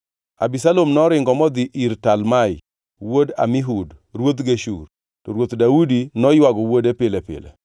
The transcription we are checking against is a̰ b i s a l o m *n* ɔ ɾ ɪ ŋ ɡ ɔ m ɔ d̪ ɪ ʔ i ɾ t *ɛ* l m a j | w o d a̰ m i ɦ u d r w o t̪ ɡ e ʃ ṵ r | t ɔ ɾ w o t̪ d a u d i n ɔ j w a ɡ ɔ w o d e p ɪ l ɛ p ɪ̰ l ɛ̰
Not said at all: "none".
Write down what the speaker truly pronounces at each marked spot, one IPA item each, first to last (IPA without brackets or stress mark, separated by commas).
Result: n, a